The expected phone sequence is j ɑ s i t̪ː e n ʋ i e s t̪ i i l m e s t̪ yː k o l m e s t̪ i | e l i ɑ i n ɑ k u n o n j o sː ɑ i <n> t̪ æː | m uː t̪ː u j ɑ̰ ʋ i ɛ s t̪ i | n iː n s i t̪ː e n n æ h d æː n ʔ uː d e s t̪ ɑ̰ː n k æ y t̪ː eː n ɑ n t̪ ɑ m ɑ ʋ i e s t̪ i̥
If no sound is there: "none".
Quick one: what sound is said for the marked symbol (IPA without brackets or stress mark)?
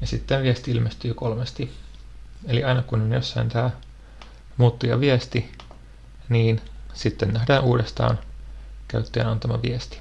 n